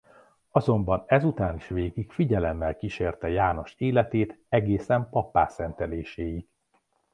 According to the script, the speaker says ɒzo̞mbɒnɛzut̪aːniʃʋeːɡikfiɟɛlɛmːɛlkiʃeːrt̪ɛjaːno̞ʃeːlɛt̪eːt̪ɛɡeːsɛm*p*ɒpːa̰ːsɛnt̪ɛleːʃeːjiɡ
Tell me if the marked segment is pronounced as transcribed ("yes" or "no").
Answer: yes